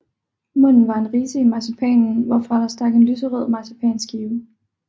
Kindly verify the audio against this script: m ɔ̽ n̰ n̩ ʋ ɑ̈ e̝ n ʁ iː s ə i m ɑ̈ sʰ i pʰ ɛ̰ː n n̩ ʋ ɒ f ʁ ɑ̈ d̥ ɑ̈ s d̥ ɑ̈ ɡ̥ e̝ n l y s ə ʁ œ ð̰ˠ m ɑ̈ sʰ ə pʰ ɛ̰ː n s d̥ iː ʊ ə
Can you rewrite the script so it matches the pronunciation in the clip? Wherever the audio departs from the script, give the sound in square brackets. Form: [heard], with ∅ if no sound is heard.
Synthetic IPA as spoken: m ɔ̽ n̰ n̩ ʋ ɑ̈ e̝ n ʁ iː s ə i m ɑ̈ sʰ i pʰ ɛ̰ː n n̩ ʋ ɒ f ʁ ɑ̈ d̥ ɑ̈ s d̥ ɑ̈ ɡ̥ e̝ n l y s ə ʁ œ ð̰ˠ m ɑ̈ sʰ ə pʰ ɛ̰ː n s [ɡ̥] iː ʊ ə